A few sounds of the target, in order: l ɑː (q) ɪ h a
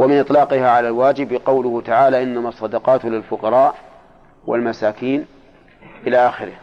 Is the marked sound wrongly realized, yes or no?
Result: no